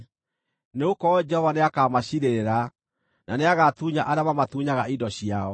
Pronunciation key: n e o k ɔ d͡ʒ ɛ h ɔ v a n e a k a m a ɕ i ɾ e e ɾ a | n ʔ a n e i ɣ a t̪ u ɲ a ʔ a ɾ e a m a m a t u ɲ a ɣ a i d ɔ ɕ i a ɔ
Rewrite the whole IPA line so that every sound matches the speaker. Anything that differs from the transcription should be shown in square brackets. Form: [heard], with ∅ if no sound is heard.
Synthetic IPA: n e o k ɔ d͡ʒ ɛ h ɔ v a n e a k a m a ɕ i ɾ e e ɾ a | n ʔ a n e [a] ɣ a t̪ u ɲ a ʔ a ɾ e a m a m a t u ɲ a ɣ a i d ɔ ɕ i a ɔ